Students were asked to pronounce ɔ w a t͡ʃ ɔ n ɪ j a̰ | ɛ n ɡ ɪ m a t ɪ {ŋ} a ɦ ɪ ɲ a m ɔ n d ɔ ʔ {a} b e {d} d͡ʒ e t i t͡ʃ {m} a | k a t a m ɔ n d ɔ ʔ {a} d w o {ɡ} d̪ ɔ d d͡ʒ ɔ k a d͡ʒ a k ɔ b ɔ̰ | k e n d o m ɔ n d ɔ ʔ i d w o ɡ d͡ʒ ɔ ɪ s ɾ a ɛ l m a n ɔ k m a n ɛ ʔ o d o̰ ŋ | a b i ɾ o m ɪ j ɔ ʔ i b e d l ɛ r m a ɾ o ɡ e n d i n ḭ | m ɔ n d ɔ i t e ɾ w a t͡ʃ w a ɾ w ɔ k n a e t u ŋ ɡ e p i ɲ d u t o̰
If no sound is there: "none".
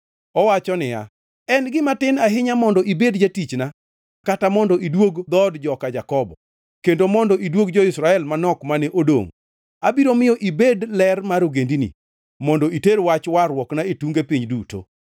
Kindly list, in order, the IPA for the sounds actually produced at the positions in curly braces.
n, i, d, n, i, ɡ

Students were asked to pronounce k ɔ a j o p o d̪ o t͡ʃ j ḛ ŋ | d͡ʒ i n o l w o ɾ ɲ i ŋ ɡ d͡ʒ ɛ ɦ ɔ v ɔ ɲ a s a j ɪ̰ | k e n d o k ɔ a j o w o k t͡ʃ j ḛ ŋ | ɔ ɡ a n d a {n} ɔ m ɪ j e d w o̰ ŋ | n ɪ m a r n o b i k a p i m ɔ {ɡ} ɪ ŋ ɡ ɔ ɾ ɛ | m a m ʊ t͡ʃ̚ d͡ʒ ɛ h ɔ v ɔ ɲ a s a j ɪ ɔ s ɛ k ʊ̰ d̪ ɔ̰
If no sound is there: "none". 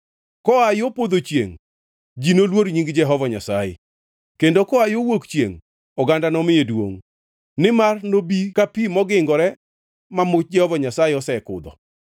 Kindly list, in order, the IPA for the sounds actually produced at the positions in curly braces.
n, ɡ

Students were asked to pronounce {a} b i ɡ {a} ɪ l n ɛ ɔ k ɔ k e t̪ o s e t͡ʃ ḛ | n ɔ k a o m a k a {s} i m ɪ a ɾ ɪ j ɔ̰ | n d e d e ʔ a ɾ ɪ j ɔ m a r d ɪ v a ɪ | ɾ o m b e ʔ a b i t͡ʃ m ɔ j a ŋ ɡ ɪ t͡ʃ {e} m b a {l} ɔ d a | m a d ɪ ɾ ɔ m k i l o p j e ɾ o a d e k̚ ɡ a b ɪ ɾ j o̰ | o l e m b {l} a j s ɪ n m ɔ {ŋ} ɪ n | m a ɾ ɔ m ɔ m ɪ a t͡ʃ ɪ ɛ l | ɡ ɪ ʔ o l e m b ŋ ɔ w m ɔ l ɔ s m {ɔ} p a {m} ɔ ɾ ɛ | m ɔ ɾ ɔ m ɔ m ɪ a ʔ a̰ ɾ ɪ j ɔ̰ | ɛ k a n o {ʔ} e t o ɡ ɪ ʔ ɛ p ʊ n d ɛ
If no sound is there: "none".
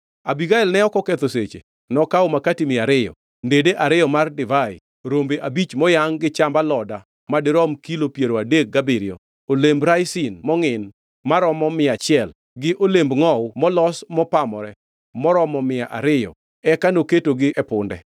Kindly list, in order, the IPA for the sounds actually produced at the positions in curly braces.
a, a, t, a, l, ɾ, ŋ, ɔ, m, k

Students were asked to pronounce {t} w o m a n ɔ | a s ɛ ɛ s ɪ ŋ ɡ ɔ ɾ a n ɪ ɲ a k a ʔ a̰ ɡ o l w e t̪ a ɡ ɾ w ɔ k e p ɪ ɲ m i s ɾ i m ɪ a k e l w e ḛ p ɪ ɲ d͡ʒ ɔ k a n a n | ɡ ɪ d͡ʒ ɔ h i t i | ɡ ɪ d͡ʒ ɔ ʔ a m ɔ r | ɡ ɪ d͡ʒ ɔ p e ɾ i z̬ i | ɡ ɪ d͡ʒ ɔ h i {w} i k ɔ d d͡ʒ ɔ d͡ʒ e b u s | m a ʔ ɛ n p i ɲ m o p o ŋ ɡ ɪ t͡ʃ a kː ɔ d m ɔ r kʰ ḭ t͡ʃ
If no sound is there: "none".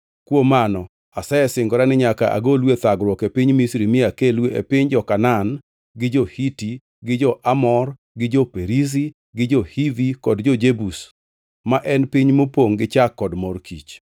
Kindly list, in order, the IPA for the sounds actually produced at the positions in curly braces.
k, v

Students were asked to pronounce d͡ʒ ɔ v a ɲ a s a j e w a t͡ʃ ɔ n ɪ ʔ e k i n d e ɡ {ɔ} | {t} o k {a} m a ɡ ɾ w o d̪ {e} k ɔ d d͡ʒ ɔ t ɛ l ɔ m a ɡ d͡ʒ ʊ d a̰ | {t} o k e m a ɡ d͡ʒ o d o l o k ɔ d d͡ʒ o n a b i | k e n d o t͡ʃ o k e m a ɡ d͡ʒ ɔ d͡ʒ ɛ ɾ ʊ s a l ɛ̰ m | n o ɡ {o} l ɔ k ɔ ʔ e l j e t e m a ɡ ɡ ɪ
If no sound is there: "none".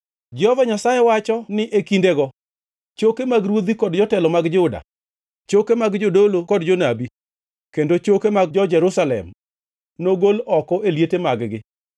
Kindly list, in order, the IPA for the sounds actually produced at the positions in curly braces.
ɔ, t͡ʃ, e, i, t͡ʃ, o

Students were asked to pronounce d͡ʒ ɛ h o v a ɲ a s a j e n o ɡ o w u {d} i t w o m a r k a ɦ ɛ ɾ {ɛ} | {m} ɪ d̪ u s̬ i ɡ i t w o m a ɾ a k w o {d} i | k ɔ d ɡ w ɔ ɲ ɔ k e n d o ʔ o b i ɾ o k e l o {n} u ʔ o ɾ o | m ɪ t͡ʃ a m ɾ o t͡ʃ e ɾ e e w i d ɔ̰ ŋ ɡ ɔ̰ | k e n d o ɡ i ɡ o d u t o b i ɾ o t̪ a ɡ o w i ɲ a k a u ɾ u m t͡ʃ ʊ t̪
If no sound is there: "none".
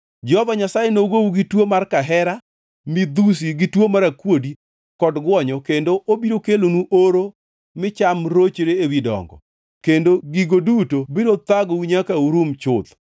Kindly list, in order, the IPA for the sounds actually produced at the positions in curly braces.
ɡ, a, m, d, n

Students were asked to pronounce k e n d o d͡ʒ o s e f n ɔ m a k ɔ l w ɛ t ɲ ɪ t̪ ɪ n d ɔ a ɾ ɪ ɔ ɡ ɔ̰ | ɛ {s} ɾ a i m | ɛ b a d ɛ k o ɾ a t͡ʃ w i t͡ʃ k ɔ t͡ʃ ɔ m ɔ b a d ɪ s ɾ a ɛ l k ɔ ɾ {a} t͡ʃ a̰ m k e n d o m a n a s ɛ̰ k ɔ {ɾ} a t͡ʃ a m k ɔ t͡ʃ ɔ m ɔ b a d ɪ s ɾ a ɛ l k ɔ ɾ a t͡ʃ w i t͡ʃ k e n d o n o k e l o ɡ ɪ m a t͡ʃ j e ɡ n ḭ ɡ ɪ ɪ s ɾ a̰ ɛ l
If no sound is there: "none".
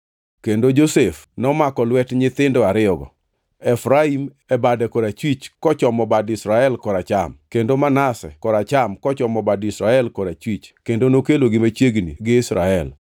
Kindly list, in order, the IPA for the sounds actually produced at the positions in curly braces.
f, a, ɾ

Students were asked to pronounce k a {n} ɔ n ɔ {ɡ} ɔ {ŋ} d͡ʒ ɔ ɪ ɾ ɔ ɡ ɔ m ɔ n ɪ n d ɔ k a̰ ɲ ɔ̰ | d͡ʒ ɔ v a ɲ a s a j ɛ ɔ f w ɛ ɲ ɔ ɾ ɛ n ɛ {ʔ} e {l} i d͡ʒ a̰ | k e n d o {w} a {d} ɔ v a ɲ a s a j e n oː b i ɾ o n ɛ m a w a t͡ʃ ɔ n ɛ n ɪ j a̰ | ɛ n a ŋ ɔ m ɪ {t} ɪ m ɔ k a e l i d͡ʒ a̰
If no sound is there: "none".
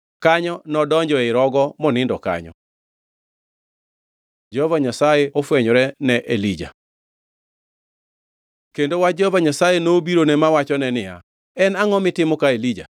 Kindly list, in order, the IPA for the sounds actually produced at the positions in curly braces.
ɲ, d, ɲ, ʔ, l, w, d͡ʒ, t

